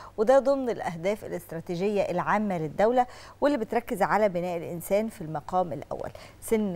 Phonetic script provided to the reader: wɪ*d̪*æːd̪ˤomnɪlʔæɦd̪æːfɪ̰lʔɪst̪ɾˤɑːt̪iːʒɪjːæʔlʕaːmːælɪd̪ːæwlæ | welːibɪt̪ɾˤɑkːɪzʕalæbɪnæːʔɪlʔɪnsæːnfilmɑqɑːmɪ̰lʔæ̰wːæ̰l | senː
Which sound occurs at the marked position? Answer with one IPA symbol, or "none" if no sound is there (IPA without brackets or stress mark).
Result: d̪